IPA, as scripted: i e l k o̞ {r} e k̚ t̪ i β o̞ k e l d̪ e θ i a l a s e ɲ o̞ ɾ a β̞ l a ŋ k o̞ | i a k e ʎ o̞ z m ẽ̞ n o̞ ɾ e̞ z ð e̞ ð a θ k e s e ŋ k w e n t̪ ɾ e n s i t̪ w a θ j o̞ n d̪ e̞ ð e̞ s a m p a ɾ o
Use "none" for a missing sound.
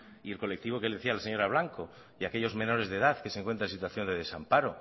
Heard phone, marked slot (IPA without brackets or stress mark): l